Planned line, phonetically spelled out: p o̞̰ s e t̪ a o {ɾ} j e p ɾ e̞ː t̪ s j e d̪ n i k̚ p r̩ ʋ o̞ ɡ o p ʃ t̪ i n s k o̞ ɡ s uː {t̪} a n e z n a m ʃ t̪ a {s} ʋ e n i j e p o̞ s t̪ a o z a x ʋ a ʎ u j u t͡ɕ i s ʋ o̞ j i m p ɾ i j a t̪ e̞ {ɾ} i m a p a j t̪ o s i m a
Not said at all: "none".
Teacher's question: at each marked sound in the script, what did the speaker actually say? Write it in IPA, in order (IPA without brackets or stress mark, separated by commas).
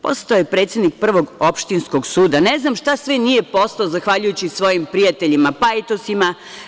none, d̪, s, ʎ